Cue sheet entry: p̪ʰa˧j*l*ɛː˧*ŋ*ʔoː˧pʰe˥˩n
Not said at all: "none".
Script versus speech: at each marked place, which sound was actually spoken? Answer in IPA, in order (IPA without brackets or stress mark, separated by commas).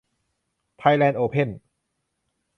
l, n